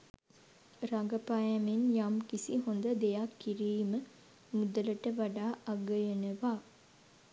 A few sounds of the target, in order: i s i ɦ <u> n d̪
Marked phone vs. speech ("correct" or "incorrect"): incorrect